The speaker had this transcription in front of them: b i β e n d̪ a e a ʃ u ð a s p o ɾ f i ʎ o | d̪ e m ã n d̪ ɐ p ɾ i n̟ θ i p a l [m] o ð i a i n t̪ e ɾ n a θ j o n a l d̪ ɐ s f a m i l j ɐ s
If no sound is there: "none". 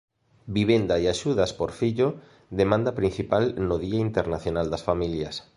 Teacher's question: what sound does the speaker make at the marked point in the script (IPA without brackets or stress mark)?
n